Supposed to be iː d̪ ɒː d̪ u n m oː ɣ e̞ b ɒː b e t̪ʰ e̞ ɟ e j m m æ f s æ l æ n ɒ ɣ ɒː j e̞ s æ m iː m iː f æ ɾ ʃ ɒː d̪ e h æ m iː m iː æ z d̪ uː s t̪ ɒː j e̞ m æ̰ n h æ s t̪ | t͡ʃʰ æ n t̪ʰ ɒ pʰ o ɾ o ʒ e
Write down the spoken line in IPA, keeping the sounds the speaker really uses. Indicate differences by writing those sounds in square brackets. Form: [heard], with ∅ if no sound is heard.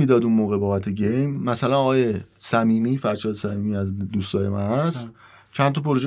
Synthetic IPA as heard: iː d̪ ɒː d̪ u n m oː ɣ e̞ b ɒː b [æ] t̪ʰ e̞ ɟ e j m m æ [∅] s æ l æ n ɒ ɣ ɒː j e̞ s æ m iː m iː f æ ɾ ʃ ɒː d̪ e [s] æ m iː m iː æ z d̪ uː s t̪ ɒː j e̞ m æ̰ n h æ s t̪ | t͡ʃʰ æ n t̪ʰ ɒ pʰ o ɾ o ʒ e